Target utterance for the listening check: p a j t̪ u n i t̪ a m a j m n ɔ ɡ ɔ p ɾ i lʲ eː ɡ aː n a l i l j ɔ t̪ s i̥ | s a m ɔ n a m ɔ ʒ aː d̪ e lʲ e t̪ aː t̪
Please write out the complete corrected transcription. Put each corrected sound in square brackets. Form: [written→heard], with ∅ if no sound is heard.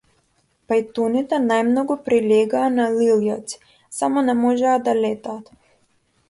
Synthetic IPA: p a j t̪ u n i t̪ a [m→n] a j m n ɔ ɡ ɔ p ɾ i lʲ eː ɡ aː n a l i l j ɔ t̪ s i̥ | s a m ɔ n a m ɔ ʒ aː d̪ [e→a] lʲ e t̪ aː t̪